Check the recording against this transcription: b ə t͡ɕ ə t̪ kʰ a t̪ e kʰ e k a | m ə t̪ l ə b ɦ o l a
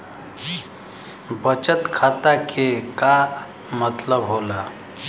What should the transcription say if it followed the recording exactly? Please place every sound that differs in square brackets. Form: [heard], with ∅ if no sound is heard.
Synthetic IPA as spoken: b ə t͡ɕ ə t̪ kʰ a t̪ [a] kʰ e k a | m ə t̪ l ə b ɦ o l a